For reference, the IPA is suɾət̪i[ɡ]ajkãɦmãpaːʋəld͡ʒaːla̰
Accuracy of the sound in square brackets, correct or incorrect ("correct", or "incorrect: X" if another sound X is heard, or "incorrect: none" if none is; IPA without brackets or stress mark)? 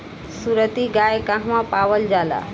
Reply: correct